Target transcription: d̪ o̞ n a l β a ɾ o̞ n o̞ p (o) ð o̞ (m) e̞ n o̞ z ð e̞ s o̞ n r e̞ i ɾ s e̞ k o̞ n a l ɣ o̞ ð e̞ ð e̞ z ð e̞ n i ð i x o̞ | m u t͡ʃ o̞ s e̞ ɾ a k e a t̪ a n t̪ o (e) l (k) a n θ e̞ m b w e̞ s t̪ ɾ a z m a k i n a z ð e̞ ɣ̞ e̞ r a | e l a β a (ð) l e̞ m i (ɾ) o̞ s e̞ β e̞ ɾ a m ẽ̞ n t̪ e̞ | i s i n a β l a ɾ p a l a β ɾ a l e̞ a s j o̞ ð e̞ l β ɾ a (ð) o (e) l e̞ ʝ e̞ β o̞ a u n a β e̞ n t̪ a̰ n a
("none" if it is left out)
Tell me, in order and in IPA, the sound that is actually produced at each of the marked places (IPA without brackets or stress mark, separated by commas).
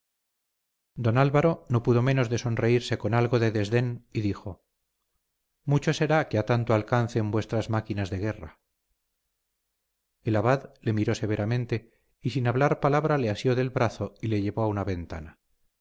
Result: u, m, a, k, ð, ɾ, θ, i